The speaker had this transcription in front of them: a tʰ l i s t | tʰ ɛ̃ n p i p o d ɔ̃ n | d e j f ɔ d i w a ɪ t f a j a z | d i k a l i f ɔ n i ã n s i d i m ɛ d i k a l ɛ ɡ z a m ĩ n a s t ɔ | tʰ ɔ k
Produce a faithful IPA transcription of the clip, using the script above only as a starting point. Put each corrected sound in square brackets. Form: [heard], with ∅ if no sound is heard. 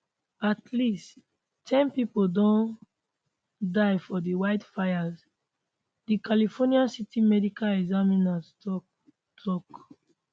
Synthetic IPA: a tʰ l i s t | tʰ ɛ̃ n p i p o d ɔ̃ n | d [a] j f ɔ d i w a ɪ t f a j a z | d i k a l i f ɔ n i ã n s i [t] i m ɛ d i k a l ɛ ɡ z a m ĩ n a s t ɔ | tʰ ɔ k